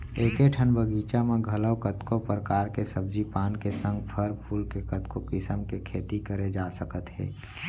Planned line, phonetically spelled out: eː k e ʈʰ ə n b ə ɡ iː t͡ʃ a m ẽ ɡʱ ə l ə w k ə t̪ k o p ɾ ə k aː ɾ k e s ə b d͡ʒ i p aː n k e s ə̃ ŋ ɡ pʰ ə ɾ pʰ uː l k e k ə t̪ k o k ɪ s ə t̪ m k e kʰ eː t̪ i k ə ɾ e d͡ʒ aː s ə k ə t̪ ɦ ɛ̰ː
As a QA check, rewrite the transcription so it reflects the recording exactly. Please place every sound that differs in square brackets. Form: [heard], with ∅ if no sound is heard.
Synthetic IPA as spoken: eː k e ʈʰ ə n b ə ɡ iː t͡ʃ a m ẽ ɡʱ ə l ə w k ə t̪ k o p ɾ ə k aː ɾ k e s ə b d͡ʒ i p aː n k e s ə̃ ŋ ɡ pʰ ə ɾ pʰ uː l k e k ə t̪ k o k ɪ s ə [∅] m k e kʰ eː t̪ i k ə ɾ e d͡ʒ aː s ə k ə t̪ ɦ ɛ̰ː